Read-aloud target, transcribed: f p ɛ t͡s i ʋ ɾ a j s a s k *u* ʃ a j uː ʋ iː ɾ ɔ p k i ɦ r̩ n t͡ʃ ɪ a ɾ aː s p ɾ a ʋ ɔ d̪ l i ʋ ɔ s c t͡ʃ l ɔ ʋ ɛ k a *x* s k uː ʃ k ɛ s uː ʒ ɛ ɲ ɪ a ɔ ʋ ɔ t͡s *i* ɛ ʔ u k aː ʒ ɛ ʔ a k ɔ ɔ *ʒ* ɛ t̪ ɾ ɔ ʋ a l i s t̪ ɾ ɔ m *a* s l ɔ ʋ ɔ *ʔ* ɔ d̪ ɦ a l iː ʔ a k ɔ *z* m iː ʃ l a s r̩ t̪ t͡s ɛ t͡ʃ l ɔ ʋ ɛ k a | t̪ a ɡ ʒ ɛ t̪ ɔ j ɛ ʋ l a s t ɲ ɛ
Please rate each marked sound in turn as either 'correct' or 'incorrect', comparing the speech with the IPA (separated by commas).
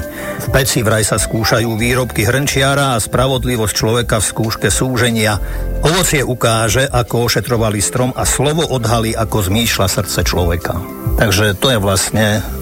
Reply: incorrect, incorrect, incorrect, incorrect, correct, correct, correct